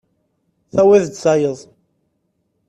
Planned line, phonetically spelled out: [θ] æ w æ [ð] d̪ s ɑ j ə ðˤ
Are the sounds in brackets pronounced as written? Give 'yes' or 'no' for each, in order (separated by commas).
yes, yes